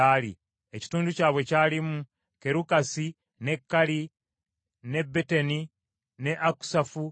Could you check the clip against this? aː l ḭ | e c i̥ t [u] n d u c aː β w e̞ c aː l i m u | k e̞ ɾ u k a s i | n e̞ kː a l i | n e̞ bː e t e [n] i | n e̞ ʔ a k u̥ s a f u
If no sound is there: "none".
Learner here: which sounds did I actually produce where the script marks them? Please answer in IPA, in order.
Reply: uː, n

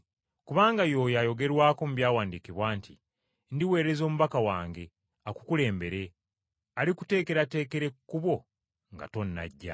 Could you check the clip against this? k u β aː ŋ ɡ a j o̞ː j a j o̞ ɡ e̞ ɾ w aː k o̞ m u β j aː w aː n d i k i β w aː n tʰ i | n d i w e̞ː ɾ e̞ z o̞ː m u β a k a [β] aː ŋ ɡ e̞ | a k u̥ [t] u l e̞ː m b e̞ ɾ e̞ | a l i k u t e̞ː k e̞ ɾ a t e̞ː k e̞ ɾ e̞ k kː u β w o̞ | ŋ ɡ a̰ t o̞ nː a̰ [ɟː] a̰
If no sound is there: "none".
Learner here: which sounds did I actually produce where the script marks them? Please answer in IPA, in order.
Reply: w, k, ɟː

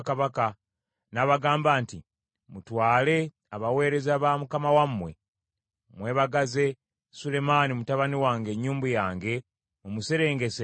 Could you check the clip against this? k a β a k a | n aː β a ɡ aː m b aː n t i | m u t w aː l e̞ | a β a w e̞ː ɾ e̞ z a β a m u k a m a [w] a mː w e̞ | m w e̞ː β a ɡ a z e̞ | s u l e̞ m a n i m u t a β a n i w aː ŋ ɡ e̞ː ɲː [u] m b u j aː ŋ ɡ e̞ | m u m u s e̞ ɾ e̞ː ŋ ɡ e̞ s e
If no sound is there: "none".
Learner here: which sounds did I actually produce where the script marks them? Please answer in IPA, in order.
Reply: w, uː

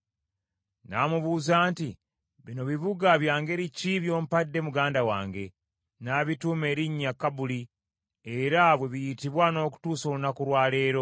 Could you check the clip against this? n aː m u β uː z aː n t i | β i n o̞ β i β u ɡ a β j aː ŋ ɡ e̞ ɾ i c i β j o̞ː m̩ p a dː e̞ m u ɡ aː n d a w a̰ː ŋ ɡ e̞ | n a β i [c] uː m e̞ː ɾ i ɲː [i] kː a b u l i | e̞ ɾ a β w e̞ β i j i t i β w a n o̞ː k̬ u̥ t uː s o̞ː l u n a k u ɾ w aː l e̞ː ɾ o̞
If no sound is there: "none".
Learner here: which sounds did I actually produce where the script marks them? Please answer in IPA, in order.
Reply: t, a

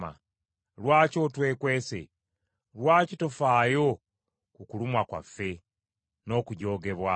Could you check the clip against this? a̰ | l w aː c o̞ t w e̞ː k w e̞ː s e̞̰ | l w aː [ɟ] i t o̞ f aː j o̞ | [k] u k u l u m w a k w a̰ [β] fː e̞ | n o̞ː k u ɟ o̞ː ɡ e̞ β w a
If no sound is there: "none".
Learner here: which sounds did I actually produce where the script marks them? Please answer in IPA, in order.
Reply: c, k, none

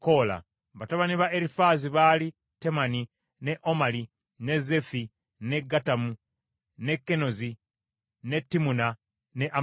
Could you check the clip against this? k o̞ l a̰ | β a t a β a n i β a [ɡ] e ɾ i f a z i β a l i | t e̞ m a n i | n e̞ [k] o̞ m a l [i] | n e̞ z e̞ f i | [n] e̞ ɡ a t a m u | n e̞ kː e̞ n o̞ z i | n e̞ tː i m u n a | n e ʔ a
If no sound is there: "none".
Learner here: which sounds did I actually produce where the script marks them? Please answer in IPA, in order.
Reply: none, ʔ, i, n

